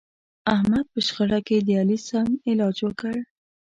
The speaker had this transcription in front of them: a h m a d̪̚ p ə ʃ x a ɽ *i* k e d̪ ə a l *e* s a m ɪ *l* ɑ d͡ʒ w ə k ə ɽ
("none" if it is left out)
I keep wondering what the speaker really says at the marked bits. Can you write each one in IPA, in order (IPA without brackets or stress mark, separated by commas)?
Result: a, i, l